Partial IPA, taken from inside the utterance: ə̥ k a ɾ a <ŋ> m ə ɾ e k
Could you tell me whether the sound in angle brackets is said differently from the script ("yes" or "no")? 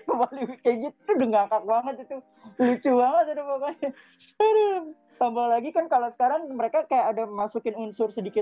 no